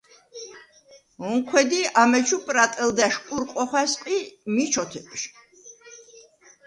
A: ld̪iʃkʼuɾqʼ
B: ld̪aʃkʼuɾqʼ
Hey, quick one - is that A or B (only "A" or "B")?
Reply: B